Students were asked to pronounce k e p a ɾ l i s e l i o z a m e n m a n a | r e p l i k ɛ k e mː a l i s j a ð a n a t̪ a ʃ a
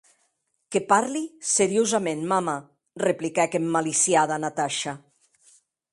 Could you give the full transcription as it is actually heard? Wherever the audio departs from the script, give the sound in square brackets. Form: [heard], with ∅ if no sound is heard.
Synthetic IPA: k e p a ɾ l i s e [ɾ] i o z a m e n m a [m] a | r e p l i k ɛ k e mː a l i s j a ð a n a t̪ a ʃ a